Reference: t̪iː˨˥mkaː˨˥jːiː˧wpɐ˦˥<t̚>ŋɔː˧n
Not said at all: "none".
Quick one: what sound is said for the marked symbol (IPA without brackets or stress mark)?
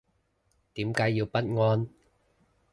t̚